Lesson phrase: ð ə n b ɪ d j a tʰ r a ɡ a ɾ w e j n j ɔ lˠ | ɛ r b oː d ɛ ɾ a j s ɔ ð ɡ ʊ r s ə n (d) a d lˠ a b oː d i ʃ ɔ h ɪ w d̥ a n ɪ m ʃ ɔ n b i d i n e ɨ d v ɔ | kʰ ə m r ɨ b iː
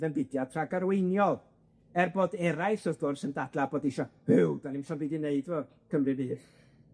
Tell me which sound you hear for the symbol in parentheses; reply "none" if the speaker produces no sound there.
d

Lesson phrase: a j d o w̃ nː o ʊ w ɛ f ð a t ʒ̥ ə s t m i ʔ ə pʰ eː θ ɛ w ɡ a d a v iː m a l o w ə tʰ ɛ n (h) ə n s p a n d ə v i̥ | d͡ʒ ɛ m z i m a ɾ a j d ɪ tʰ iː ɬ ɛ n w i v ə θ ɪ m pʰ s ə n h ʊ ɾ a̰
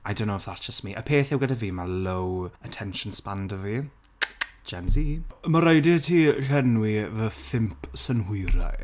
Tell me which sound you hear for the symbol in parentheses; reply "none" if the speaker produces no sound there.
ʃ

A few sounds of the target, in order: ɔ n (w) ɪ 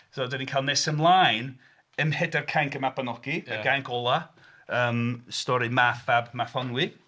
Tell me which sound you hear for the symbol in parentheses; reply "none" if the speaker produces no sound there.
w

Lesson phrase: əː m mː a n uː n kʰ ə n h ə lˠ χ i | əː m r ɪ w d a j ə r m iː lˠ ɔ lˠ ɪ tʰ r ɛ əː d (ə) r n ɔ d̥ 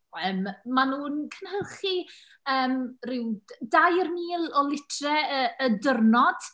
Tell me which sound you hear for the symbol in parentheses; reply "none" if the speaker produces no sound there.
ə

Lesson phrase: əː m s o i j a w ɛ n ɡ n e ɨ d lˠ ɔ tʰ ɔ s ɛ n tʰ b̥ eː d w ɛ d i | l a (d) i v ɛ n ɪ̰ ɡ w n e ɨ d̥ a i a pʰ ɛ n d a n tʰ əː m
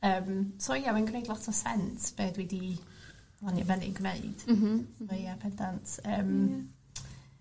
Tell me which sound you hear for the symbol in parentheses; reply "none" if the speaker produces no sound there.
n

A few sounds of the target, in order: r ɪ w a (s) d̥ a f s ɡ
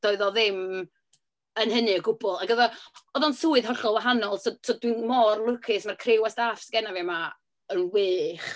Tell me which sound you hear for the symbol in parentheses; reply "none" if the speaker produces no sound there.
s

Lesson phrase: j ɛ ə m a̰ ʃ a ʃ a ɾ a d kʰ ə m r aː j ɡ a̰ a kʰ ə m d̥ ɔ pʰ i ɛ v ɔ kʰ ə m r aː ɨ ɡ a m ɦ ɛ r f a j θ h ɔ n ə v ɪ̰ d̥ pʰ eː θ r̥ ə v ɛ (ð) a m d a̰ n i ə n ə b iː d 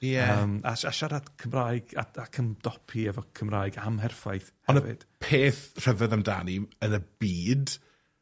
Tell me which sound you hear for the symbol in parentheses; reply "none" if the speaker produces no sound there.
ð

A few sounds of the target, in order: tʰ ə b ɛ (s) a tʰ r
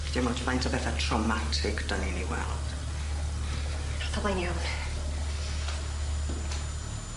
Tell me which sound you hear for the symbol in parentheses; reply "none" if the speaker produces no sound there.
θ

